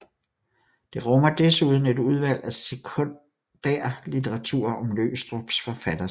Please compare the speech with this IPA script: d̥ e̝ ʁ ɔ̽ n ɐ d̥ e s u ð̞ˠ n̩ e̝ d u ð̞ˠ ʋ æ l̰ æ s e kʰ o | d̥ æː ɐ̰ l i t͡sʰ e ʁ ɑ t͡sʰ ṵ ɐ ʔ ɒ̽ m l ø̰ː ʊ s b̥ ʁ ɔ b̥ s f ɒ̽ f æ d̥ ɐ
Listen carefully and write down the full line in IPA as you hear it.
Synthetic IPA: d̥ e̝ ʁ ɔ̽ m ɐ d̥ e s u ð̞ˠ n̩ e̝ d u ð̞ˠ ʋ æ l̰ æ s e kʰ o | d̥ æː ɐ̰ l i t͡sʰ e ʁ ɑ t͡sʰ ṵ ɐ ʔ ɒ̽ m l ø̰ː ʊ s d̥ ʁ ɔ b̥ s f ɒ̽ f æ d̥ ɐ